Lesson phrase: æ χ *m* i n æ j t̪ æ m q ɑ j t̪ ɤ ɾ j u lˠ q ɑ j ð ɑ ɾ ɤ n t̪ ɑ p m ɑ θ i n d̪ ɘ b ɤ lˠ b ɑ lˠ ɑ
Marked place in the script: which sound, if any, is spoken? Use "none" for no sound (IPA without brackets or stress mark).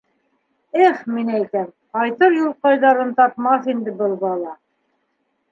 m